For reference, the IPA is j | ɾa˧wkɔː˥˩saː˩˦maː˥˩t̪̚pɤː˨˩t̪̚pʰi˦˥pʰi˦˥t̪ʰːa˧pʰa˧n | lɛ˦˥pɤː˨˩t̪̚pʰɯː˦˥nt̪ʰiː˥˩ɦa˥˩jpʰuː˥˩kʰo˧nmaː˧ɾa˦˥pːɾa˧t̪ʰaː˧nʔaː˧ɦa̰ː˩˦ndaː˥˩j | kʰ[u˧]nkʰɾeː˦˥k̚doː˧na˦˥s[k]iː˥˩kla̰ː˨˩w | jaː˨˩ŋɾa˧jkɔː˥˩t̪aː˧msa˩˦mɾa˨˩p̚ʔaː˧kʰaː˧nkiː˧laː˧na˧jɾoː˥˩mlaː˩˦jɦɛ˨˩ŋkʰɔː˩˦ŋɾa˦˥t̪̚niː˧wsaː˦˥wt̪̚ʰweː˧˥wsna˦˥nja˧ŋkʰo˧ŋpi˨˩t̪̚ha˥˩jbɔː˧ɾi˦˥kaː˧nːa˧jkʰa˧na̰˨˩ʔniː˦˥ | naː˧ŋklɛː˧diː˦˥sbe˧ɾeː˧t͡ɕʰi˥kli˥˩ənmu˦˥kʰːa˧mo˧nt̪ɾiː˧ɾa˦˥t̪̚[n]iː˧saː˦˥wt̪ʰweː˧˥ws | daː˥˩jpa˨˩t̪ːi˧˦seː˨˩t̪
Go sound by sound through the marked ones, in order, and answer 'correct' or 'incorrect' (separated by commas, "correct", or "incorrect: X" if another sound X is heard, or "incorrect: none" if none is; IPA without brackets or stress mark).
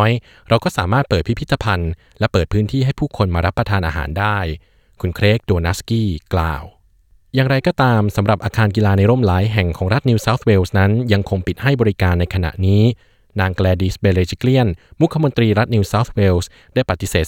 correct, correct, correct